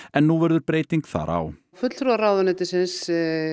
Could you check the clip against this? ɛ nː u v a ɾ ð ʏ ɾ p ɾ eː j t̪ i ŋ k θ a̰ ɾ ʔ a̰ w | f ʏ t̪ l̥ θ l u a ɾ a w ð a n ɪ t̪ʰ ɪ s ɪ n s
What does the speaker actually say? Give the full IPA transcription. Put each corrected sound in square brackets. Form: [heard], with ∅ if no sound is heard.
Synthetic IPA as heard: ɛ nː u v [ɛ] ɾ ð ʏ ɾ p ɾ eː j t̪ i ŋ k θ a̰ ɾ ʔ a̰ w | f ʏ t̪ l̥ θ [ɾ] u a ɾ a w ð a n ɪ [t̪] ɪ s ɪ n s